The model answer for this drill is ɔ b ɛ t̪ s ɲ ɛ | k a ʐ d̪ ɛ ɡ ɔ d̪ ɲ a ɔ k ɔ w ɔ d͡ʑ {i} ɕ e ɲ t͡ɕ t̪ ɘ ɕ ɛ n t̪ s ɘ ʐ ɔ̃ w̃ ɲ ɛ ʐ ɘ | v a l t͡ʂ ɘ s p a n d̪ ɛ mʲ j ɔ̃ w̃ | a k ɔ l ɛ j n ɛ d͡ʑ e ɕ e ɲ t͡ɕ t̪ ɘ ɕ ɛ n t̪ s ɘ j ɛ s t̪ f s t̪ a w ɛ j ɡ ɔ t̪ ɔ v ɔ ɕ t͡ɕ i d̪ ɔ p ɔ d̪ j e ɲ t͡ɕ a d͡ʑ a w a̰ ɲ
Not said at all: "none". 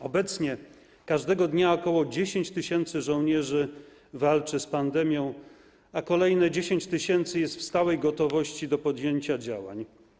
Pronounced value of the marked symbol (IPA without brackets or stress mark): e